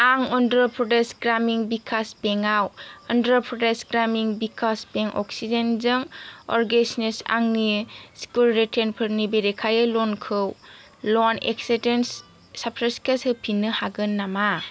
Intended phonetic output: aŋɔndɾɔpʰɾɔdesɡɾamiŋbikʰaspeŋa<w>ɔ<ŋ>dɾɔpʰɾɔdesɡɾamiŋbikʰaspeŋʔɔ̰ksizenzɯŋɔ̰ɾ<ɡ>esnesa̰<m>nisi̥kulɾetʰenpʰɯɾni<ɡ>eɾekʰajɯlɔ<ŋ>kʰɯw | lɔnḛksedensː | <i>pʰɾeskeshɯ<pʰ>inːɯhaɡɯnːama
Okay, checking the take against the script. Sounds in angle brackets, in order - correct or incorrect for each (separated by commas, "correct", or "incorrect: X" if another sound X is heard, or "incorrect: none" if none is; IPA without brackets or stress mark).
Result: correct, incorrect: n, correct, incorrect: ŋ, incorrect: b, incorrect: n, incorrect: a, correct